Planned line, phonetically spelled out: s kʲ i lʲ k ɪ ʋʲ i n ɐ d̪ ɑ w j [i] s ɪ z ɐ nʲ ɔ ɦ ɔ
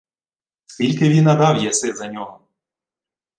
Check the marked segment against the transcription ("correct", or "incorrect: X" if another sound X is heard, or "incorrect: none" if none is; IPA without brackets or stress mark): incorrect: ɛ